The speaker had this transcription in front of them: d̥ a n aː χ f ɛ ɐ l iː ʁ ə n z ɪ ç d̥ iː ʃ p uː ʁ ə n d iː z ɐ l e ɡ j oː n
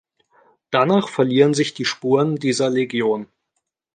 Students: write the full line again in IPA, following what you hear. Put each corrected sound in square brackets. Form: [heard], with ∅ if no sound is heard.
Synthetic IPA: d̥ a n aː χ f ɛ ɐ l iː ʁ ə n z ɪ ç d̥ iː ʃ p uː ʁ ə n d iː z ɐ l e ɡ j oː n